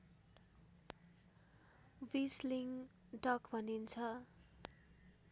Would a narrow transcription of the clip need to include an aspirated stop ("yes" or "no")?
yes